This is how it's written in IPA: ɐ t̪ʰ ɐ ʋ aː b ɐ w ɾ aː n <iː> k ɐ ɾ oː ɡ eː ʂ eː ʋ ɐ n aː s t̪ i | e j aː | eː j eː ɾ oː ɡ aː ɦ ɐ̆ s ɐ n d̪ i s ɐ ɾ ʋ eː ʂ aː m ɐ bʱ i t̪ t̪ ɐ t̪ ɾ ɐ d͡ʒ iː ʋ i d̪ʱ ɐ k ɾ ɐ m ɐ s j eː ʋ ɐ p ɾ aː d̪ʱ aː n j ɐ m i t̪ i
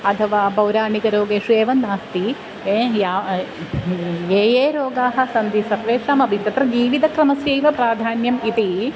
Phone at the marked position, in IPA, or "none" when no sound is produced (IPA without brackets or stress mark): i